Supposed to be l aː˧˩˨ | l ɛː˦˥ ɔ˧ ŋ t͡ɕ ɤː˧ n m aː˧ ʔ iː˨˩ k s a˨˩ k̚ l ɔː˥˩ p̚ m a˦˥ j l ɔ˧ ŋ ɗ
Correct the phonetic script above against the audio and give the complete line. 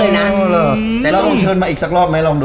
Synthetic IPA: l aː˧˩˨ | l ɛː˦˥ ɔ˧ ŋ t͡ɕʰ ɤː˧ n m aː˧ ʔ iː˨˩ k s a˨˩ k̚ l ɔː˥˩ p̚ m a˦˥ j l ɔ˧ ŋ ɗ